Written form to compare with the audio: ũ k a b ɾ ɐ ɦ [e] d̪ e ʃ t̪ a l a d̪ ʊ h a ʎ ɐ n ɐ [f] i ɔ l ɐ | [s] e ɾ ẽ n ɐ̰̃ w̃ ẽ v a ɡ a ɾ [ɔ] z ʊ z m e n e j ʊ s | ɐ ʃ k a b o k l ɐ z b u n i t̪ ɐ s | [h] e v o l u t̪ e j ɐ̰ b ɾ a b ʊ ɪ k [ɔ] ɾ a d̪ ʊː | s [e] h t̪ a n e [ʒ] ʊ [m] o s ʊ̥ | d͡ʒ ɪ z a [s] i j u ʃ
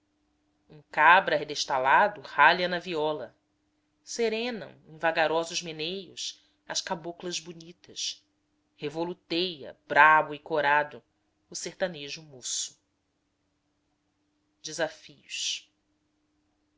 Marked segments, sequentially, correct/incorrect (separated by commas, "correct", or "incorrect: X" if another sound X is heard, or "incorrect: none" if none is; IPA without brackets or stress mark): correct, incorrect: v, correct, correct, correct, incorrect: o, correct, correct, correct, incorrect: f